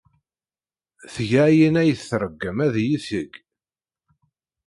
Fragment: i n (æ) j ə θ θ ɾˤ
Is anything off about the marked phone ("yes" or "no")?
no